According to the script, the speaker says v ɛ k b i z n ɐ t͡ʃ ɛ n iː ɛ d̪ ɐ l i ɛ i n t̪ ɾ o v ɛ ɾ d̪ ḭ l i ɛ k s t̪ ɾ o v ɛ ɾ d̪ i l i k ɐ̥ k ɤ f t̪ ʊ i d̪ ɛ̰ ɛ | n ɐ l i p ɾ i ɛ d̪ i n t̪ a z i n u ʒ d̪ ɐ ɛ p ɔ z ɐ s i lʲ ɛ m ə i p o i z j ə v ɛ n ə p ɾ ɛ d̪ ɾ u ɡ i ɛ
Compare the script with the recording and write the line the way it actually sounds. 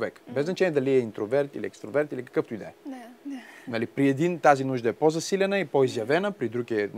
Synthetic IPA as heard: v ɛ k b ɛ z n ɐ t͡ʃ ɛ n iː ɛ d̪ ɐ l i ɛ i n t̪ ɾ o v ɛ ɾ t̪ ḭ l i ɛ k s t̪ ɾ o v ɛ ɾ t̪ i l i k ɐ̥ k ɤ f t̪ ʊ i d̪ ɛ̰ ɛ | n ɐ l i p ɾ i ɛ d̪ i n t̪ a z i n u ʒ d̪ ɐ ɛ p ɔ z ɐ s i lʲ ɛ n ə i p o i z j ɐ v ɛ n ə p ɾ i d̪ ɾ u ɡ i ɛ